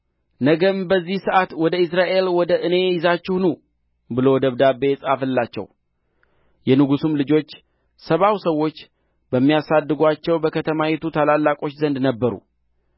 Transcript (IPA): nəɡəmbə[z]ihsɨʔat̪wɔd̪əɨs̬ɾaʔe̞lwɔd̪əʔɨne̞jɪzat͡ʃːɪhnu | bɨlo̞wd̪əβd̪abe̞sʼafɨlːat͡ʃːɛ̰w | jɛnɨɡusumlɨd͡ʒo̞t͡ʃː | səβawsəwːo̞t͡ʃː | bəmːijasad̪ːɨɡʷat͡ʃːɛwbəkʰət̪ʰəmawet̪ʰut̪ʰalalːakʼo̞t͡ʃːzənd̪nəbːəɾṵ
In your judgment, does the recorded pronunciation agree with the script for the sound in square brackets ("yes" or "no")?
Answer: no